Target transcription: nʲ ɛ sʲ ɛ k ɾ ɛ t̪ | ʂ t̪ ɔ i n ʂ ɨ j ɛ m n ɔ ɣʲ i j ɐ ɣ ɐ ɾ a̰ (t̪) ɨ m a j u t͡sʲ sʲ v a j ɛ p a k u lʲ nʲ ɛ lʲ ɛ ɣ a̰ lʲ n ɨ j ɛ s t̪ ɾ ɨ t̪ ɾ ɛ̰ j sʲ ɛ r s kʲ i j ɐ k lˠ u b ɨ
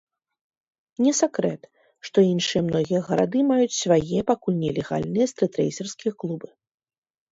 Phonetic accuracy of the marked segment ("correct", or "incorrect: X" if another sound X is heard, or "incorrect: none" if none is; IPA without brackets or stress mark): incorrect: d̪